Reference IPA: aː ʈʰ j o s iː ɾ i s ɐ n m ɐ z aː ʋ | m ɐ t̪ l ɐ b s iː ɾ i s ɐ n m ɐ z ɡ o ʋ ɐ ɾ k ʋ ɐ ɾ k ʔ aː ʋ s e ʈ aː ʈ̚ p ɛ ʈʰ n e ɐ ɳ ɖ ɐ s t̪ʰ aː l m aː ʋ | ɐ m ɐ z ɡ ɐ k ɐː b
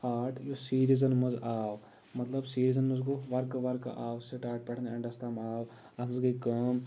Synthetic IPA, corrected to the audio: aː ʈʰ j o s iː ɾ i z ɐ n m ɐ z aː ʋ | m ɐ t̪ l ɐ b s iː ɾ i z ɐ n m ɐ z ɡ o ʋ ɐ ɾ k ʋ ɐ ɾ k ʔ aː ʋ s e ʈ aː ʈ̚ p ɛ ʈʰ n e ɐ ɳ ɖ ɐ s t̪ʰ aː m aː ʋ | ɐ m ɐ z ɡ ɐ k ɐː m